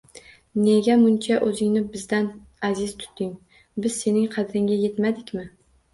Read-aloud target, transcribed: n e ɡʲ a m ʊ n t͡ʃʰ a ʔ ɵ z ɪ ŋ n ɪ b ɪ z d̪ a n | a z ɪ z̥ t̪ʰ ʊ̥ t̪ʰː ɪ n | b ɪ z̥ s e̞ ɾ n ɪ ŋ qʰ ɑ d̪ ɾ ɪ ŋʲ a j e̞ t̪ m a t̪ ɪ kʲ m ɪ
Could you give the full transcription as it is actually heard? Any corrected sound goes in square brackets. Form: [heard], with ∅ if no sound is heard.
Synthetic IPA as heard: n e ɡʲ a m ʊ n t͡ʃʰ a ʔ ɵ z ɪ ŋ n ɪ b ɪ z d̪ a n | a z ɪ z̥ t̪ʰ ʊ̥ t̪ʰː ɪ [ŋ] | b ɪ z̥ s e̞ [∅] n ɪ ŋ qʰ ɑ d̪ ɾ ɪ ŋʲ a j e̞ t̪ m a [d̪] ɪ kʲ m ɪ